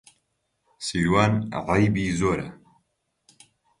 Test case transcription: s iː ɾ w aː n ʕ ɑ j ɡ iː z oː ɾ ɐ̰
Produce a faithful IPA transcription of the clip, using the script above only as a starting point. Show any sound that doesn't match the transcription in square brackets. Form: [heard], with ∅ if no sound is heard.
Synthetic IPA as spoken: s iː ɾ w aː n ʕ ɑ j [b] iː z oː ɾ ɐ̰